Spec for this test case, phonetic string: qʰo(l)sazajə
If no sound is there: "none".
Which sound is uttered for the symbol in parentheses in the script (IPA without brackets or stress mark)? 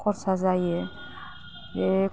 ɾ